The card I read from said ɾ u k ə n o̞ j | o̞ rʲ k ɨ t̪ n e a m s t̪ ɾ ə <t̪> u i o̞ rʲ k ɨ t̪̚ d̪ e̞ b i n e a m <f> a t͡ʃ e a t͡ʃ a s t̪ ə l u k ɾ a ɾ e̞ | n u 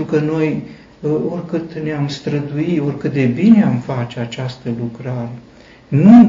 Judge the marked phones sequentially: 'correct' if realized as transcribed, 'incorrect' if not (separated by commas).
incorrect, correct